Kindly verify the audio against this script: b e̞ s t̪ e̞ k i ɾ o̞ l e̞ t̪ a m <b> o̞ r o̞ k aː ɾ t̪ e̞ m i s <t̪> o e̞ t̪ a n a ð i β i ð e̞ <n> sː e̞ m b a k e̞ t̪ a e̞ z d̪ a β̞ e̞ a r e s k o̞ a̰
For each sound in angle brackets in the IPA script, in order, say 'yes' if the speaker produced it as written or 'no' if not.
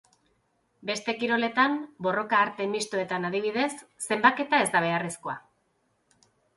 yes, yes, no

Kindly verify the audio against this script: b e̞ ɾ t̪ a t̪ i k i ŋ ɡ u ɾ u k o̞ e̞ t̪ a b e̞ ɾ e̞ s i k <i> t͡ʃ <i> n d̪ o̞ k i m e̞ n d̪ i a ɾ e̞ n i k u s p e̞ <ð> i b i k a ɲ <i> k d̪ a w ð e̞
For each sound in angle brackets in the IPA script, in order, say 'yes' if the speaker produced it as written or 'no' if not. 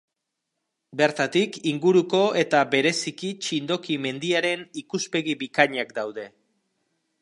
yes, yes, no, no

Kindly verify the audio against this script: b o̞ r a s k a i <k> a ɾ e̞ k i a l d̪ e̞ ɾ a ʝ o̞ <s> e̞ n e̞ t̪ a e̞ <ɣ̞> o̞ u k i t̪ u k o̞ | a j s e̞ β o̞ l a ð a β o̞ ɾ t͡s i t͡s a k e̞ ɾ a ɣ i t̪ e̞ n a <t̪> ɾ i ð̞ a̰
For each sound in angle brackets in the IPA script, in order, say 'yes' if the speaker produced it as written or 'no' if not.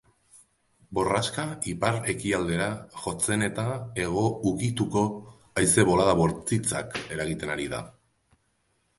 no, no, yes, no

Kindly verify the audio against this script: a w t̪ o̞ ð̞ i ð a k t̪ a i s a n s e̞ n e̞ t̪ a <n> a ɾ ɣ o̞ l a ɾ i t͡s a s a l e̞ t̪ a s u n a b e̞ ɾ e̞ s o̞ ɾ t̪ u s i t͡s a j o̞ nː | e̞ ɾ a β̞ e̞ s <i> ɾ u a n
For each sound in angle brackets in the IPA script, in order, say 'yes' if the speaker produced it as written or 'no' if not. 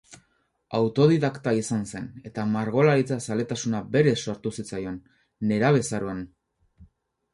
no, no

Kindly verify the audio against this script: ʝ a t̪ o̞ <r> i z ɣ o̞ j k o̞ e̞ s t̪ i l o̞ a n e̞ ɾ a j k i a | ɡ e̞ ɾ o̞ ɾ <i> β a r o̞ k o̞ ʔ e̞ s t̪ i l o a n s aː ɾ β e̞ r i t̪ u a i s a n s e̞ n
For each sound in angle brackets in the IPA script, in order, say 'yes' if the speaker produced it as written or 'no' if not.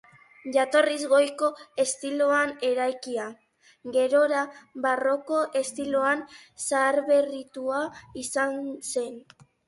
yes, no

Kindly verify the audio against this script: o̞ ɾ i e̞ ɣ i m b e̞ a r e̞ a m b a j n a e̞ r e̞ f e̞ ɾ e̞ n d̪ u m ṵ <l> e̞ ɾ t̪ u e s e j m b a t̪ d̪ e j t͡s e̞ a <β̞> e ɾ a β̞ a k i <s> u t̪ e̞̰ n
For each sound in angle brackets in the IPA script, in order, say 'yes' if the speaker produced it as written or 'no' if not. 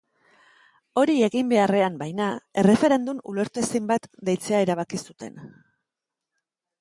yes, no, yes

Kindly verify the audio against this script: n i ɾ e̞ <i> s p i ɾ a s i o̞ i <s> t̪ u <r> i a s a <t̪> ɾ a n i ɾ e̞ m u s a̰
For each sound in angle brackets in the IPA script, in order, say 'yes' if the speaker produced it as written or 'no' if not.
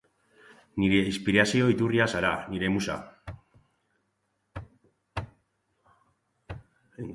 yes, no, yes, no

